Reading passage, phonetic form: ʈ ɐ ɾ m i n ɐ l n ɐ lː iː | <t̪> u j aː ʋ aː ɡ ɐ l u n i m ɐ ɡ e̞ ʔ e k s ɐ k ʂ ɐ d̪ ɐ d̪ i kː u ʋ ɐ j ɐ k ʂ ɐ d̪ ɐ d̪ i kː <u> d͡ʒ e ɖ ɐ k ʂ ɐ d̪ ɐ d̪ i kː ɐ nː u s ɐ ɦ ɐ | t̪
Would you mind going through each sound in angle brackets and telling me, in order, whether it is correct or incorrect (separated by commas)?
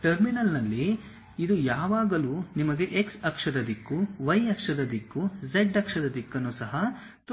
incorrect, correct